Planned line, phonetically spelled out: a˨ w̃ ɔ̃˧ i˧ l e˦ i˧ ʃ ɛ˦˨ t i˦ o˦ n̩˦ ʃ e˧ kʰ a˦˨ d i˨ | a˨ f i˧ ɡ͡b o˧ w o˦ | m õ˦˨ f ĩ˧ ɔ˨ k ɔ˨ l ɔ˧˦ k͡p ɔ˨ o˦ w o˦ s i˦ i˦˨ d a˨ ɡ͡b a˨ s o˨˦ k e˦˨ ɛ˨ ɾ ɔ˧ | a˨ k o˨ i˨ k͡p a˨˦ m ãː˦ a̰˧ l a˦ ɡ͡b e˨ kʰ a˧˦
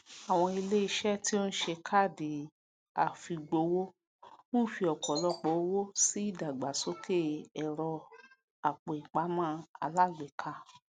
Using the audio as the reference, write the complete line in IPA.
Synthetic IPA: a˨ w̃ ɔ̃˧ i˧ l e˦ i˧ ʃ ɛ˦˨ t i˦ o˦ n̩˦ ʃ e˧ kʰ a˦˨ d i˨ | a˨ f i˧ ɡ͡b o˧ w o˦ | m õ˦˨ f i˧ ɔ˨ k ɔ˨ l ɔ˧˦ k͡p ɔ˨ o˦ w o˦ s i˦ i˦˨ d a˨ ɡ͡b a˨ s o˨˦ k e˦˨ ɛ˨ ɾ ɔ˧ | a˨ k͡p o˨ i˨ k͡p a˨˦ m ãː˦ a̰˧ l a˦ ɡ͡b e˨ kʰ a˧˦